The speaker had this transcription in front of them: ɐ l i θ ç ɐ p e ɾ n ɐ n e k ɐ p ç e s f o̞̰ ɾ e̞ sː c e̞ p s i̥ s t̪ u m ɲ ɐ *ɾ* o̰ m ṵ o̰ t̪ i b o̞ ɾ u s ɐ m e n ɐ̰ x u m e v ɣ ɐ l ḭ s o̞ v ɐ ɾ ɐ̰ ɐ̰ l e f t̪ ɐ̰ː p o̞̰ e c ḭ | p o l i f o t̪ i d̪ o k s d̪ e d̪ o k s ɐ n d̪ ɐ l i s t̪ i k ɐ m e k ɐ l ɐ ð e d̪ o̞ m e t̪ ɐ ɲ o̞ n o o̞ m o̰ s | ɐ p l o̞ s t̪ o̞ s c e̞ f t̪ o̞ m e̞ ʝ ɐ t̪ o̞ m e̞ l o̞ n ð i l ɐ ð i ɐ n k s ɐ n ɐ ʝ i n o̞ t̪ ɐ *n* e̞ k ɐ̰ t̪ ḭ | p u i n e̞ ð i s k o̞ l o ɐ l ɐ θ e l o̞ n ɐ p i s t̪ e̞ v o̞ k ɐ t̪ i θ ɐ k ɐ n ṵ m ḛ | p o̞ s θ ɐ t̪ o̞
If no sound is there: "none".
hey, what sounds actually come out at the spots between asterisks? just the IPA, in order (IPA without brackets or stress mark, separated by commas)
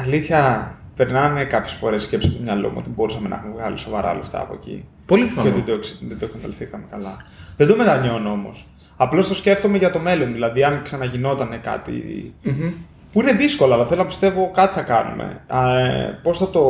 l, n